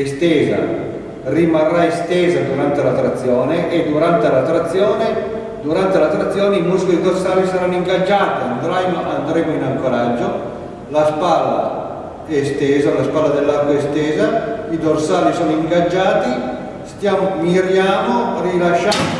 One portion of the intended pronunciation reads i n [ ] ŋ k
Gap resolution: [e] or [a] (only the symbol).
a